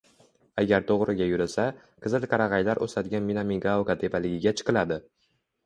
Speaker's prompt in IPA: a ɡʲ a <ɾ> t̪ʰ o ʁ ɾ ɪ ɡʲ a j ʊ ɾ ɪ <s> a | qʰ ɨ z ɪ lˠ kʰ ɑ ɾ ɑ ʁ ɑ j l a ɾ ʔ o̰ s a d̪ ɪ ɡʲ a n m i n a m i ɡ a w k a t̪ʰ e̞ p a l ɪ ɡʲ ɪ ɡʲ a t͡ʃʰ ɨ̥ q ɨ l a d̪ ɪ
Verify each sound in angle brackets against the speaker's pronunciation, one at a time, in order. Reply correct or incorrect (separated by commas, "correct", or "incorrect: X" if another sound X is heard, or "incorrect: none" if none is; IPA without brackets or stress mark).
correct, correct